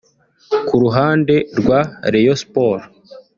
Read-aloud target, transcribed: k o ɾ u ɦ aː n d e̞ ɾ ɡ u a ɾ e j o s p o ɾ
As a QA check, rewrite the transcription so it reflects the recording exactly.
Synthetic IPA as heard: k u ɾ u ɦ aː n d e̞ ɾ ɡ w a ɾ e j o s p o ɾ

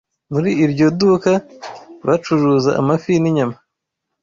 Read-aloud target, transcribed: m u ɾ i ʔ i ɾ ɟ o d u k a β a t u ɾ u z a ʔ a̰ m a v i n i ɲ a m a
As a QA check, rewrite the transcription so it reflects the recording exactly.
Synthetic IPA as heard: m u ɾ i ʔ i ɾ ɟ o d u k a β a t͡ʃ u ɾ u z a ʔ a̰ m a f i n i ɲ a m a

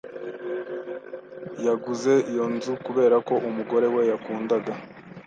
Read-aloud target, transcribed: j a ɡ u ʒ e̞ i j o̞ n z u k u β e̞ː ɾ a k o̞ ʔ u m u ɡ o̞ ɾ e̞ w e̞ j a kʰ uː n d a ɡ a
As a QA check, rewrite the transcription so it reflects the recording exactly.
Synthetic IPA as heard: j a ɡ u z e̞ i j o̞ n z u k u β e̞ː ɾ a k o̞ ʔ u m u ɡ o̞ ɾ e̞ w e̞ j a k uː n d a ɡ a

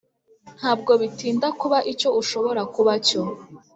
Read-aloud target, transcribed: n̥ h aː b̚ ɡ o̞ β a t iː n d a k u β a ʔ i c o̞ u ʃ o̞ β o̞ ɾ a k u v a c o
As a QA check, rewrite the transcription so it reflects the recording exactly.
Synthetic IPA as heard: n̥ h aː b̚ ɡ o̞ β i t iː n d a k u β a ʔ i c o̞ u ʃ o̞ β o̞ ɾ a k u β a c o

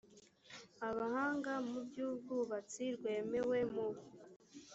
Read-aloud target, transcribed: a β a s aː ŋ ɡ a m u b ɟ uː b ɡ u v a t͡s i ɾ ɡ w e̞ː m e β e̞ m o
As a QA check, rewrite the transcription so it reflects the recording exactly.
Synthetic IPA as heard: a β a h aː ŋ ɡ a m u b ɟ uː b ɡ u β a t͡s i ɾ ɡ w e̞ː m e w e̞ m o

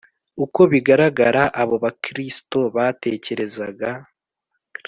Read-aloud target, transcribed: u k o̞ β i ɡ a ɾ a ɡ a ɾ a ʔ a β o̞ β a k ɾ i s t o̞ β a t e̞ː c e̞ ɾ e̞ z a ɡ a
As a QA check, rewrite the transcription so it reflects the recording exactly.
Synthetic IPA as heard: u k o̞ β i ɡ a ɾ a ɡ a ɾ a ʔ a β o̞ β a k ɾ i s t o̞ β a t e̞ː c e̞ ɾ e̞ z a ɡ a

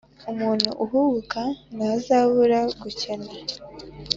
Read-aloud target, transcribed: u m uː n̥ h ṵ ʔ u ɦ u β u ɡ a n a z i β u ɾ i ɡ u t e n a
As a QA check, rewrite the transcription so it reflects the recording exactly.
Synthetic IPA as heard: u m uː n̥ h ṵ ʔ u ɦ u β u k a n a z a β u ɾ a ɡ u c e n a

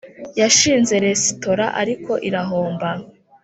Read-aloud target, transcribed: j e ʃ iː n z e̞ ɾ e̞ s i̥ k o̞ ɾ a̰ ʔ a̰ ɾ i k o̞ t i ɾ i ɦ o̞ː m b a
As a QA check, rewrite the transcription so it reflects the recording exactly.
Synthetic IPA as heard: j a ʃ iː n z e̞ ɾ e̞ s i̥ t o̞ ɾ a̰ ʔ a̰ ɾ i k o̞ ʔ i ɾ a ɦ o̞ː m b a

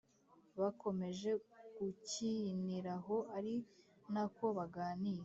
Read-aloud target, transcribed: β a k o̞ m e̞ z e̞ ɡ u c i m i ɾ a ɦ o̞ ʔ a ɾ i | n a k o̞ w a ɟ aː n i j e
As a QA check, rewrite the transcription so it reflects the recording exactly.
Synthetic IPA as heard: β a k o̞ m e̞ ʒ e̞ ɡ u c i n i ɾ a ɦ o̞ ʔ a ɾ i | n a k o̞ β a ɡ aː n i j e

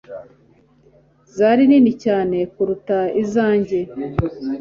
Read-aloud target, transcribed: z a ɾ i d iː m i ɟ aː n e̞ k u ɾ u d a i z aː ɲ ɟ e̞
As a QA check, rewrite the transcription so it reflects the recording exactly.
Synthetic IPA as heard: z a ɾ i n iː n i c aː n e̞ k u ɾ u t a i z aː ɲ ɟ e̞

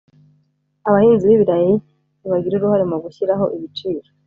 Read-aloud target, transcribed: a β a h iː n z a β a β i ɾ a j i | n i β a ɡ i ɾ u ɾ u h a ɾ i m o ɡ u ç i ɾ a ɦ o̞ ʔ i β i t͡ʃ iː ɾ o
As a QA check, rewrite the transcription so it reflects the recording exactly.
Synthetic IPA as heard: a β a h iː n z i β i β i ɾ a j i | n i β a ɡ i ɾ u ɾ u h a ɾ i m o ɡ u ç i ɾ a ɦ o̞ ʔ i β i t͡ʃ iː ɾ o

